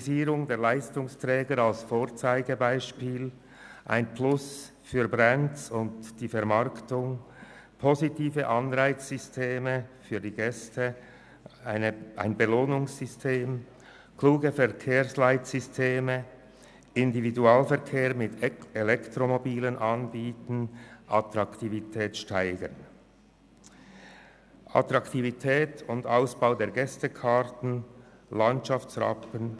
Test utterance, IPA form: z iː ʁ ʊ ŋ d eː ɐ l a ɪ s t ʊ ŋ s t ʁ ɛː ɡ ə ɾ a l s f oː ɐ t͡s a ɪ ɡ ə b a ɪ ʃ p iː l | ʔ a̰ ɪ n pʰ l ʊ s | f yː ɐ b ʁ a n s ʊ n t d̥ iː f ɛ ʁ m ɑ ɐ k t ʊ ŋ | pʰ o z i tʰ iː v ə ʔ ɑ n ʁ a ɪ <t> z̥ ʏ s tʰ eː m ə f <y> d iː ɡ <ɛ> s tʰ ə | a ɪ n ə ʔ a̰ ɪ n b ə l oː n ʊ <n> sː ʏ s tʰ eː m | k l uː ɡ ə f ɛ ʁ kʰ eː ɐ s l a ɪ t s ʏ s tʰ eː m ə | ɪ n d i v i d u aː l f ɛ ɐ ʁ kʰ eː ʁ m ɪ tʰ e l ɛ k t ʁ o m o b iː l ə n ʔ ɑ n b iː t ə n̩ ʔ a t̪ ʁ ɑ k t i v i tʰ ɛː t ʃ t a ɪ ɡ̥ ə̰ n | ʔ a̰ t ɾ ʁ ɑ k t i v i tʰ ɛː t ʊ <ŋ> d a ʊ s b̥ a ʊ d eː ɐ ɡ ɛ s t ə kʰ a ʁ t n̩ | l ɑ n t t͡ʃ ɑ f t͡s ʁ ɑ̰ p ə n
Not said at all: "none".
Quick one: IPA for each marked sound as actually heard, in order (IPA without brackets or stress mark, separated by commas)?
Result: t͡s, yː, ɛ, ŋ, n